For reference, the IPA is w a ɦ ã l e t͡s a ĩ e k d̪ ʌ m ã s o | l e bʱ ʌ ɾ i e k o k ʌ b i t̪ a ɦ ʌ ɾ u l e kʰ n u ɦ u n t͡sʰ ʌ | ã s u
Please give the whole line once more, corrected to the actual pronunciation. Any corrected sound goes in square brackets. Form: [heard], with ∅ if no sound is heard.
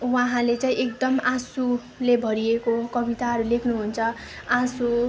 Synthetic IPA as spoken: w a ɦ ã l e t͡s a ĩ e k d̪ ʌ m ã s [u] | l e bʱ ʌ ɾ i e k o k ʌ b i t̪ a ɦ ʌ ɾ u l e kʰ n u ɦ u n t͡sʰ ʌ | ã s u